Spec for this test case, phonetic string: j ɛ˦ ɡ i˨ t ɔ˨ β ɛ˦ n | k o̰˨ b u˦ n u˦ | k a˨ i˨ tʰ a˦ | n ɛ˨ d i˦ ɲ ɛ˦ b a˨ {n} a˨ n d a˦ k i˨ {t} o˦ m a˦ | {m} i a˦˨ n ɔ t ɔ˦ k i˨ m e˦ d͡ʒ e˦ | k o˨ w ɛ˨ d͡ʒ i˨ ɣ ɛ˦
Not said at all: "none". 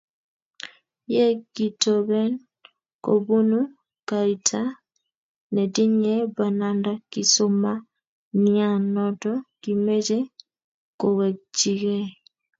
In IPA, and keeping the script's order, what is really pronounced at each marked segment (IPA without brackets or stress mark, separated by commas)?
n, s, n